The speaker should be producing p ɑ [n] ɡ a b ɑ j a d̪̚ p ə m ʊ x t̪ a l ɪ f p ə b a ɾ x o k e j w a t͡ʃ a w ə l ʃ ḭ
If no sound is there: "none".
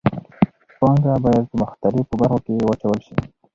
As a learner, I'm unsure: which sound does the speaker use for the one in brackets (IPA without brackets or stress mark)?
ŋ